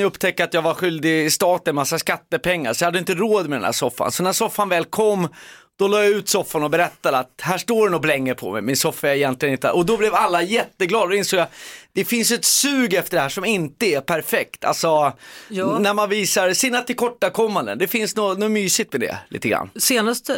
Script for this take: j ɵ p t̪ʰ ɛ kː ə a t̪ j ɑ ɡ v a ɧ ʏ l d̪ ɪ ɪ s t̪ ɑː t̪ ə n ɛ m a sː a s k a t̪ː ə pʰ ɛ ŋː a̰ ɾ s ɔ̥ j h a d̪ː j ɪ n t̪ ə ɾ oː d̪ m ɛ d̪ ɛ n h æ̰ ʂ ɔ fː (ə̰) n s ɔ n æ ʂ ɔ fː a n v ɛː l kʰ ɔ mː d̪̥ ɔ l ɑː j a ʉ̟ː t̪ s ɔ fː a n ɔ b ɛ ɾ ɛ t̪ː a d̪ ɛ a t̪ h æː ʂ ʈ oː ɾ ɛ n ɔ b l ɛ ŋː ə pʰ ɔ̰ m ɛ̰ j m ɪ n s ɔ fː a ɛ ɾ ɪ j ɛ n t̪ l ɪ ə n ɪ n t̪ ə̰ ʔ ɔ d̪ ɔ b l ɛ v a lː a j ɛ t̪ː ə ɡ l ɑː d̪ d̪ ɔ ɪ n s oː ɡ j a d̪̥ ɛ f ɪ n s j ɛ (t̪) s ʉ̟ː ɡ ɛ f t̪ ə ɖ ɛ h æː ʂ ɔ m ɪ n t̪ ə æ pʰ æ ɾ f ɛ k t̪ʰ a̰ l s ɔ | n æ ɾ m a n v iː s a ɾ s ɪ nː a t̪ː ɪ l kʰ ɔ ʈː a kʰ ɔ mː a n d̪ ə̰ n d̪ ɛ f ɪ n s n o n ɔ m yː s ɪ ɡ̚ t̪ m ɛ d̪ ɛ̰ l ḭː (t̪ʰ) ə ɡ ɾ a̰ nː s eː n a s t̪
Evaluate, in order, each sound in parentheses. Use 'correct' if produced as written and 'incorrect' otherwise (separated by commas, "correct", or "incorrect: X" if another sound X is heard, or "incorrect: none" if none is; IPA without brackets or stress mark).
incorrect: a̰, correct, incorrect: t̪